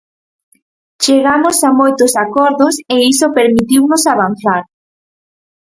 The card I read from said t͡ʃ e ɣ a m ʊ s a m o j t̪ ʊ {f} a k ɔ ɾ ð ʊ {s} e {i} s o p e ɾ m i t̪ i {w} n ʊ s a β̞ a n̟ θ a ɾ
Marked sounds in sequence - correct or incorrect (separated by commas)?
incorrect, correct, correct, correct